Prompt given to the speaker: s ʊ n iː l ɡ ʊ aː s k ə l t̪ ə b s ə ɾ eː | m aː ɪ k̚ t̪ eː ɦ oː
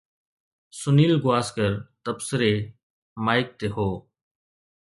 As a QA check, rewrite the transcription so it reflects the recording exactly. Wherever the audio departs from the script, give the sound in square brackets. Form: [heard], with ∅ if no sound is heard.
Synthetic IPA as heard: s ʊ n iː l ɡ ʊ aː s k ə [ɾ] t̪ ə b s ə ɾ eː | m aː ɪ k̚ t̪ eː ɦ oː